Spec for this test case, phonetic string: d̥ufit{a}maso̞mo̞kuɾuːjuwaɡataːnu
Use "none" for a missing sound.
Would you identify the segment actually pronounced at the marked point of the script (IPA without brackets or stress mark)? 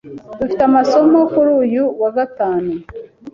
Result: a